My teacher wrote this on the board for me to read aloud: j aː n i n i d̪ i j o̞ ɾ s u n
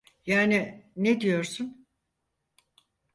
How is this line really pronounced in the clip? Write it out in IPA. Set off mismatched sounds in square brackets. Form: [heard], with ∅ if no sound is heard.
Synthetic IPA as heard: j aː n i n [e] d̪ i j o̞ ɾ s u n